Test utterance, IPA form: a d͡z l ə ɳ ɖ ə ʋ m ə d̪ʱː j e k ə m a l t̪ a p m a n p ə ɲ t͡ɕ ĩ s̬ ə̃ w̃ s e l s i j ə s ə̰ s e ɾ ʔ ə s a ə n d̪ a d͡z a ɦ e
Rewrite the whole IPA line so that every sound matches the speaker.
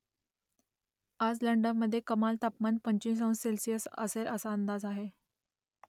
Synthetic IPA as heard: a d͡z l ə ɳ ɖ ə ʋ m ə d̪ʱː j e k ə m a l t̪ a p m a n p ə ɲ t͡ɕ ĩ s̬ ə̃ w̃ s e l s i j ə s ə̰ s e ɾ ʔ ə s a ə n d̪ a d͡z a ɦ e